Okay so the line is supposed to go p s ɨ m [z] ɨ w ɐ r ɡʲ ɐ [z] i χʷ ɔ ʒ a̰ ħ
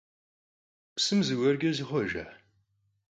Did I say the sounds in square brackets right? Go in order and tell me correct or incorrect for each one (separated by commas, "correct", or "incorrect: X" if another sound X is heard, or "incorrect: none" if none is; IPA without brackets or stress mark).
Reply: correct, correct